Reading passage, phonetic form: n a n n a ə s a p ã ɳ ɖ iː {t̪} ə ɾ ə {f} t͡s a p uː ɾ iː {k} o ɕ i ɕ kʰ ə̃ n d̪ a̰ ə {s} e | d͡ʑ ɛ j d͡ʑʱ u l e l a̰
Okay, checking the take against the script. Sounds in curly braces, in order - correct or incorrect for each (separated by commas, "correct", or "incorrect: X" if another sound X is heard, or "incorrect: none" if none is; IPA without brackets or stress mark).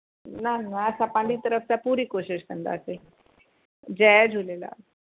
correct, correct, correct, correct